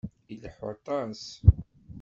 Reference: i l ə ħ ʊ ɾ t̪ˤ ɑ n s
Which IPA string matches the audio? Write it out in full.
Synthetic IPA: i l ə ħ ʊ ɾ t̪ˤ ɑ n s